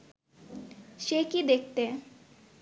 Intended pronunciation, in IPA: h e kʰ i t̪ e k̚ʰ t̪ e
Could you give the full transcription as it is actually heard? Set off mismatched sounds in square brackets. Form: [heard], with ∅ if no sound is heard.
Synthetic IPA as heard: [ʃ] e [k] i [d̪] e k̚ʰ t̪ e